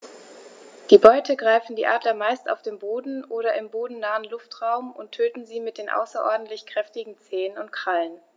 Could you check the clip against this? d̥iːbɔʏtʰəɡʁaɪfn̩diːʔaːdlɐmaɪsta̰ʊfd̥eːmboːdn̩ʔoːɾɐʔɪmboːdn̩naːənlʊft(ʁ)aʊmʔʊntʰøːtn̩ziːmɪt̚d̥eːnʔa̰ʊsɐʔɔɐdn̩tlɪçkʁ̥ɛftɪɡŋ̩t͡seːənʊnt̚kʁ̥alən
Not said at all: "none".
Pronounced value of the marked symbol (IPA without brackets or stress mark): ʁ